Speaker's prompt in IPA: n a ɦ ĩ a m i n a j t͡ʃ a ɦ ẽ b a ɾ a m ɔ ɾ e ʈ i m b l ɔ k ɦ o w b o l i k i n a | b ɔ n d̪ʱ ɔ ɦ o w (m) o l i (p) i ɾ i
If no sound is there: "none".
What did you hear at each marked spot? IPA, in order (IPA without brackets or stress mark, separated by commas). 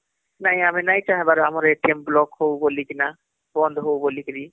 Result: b, k